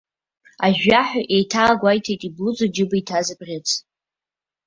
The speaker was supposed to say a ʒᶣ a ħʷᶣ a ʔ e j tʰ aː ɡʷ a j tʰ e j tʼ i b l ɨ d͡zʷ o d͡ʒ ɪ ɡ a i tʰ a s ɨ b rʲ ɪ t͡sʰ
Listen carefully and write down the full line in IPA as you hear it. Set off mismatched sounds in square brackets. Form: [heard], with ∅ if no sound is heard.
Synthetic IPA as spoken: a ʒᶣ a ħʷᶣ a ʔ e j tʰ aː ɡʷ a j tʰ e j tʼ i b l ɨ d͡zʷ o d͡ʒ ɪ [b] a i tʰ a [z] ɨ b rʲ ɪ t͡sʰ